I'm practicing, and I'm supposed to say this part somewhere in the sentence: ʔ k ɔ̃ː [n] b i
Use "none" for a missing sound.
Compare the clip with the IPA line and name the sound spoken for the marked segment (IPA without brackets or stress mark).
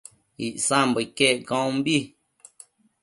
m